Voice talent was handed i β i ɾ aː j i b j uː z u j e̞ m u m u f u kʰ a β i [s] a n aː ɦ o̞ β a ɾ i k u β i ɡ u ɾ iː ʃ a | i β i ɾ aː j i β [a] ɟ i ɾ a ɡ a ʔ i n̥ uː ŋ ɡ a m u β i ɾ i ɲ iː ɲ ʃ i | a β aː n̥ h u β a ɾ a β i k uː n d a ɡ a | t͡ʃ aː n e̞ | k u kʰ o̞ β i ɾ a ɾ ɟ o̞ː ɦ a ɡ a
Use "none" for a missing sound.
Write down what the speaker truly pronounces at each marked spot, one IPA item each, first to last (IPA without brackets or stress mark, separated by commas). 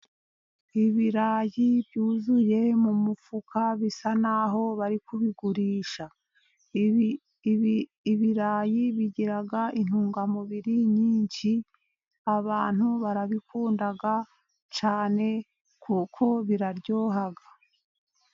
s, i